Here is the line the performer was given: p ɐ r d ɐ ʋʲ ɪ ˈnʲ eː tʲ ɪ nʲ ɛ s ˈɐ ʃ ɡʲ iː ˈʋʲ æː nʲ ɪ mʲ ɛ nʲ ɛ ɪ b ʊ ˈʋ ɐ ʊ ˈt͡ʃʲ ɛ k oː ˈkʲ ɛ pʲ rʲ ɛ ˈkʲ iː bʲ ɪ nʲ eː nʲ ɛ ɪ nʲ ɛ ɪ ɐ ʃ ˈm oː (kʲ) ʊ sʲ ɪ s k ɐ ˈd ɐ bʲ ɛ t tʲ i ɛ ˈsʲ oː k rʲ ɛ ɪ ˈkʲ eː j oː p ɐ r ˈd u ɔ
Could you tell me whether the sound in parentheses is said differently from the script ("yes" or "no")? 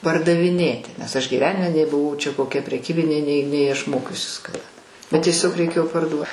no